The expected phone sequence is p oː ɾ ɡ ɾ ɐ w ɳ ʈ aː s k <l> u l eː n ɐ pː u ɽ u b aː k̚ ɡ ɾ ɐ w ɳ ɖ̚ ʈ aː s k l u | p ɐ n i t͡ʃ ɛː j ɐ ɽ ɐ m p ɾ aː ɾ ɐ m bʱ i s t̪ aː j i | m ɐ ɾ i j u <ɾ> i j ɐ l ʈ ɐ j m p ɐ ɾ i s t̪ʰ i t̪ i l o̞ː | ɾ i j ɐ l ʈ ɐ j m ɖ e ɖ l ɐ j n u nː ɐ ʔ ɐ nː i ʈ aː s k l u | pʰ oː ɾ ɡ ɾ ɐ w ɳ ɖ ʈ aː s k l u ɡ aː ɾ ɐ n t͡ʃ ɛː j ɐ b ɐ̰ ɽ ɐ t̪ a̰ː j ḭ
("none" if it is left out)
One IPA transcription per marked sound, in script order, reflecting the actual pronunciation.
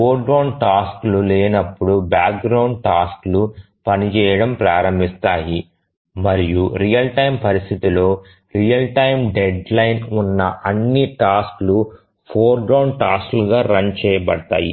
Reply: l, ɾ

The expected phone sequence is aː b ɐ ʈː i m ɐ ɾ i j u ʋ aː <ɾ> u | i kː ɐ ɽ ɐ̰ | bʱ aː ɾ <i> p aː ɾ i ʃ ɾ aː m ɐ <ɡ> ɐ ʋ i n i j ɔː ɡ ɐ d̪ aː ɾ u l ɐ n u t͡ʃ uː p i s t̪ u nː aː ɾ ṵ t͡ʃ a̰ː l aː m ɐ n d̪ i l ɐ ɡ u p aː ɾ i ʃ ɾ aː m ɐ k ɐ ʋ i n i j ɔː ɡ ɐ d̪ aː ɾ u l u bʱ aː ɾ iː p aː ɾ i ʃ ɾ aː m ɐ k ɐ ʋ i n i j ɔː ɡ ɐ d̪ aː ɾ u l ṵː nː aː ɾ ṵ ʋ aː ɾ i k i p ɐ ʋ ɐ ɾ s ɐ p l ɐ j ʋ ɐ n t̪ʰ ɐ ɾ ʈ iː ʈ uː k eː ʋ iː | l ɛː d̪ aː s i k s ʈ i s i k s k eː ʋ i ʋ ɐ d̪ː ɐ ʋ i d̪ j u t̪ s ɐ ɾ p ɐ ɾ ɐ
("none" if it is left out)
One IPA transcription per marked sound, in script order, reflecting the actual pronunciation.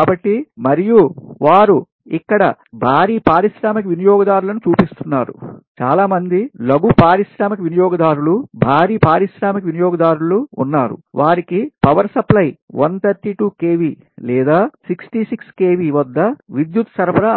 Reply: ɾ, iː, k

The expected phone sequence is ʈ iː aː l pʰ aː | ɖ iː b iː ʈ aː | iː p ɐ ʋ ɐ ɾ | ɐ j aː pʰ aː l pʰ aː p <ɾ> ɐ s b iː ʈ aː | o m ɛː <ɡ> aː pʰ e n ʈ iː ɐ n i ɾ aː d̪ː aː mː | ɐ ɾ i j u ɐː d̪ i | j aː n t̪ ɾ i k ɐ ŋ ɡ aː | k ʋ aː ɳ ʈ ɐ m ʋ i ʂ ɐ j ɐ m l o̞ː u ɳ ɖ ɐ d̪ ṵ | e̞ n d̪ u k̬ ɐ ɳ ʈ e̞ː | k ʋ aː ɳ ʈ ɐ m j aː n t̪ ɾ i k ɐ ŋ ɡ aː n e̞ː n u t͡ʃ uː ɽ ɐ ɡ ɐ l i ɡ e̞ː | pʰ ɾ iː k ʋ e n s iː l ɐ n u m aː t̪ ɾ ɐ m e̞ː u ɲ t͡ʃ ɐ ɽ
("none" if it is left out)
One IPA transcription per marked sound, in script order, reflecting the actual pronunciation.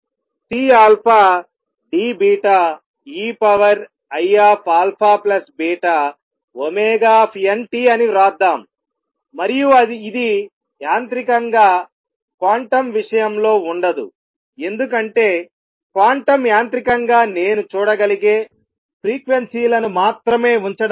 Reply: l, ɡ

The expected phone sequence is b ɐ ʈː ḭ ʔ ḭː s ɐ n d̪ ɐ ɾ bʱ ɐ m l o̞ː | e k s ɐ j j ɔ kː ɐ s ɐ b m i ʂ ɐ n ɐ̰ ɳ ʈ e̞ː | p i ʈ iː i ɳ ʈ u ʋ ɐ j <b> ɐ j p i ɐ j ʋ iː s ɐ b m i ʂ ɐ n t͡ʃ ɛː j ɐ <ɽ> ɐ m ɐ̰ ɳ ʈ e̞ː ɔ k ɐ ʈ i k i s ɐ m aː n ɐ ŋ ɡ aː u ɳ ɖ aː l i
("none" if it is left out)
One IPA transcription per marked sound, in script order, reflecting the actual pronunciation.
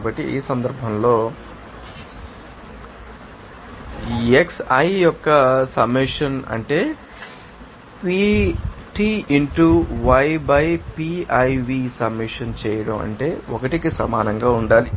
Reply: b, ɽ

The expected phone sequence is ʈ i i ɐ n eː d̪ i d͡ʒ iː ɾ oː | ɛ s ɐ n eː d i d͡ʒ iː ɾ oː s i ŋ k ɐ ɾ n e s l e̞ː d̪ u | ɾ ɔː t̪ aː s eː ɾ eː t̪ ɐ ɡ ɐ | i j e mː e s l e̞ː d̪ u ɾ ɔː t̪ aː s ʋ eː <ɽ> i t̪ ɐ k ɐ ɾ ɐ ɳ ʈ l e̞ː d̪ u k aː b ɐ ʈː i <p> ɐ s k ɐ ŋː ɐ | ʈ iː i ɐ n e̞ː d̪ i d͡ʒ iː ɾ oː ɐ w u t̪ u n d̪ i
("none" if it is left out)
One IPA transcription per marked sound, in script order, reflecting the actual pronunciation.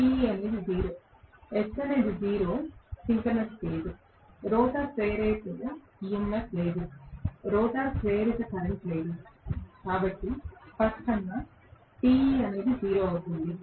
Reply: ɾ, p

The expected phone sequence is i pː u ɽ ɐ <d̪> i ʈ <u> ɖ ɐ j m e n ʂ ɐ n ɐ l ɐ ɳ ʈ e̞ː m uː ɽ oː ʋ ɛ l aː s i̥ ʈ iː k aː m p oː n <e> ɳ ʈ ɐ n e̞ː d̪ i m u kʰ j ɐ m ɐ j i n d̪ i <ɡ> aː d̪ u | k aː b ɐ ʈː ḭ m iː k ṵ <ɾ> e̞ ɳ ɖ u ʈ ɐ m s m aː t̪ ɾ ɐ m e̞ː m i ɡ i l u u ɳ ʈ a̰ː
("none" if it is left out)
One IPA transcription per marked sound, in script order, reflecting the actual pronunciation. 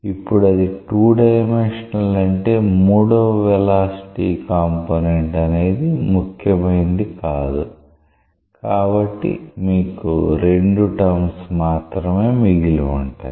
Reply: d̪, uː, e, k, ɾ

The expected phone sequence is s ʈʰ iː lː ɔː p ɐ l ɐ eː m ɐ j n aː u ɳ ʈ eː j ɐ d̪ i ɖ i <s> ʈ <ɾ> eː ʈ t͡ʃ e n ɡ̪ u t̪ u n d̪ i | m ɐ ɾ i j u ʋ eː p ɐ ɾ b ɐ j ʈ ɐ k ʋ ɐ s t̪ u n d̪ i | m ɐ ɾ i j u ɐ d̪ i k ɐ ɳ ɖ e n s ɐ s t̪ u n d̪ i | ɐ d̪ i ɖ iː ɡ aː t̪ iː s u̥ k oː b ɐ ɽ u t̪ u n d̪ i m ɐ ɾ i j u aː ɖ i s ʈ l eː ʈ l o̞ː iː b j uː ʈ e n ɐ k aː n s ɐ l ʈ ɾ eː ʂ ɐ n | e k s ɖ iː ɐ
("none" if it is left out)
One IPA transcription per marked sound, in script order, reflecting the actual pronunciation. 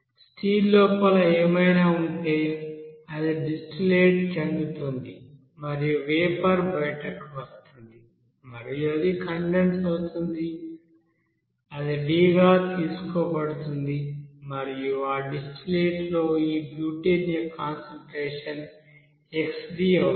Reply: s, l

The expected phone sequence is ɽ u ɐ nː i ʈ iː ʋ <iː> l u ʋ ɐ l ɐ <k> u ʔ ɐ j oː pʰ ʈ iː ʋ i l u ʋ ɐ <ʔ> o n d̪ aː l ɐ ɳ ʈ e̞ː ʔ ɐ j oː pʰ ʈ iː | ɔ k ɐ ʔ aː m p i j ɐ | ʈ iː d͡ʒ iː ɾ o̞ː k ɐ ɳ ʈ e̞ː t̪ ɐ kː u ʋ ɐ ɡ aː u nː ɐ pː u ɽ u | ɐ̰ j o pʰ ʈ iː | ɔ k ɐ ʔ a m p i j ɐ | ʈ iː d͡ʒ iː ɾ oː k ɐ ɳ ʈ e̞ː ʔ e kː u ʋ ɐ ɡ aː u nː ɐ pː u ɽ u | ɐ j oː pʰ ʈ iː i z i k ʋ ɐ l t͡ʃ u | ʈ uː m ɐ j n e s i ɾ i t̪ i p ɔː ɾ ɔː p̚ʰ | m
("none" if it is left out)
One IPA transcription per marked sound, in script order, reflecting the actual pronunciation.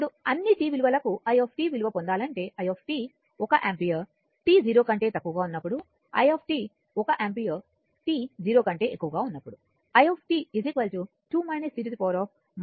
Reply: i, k, p

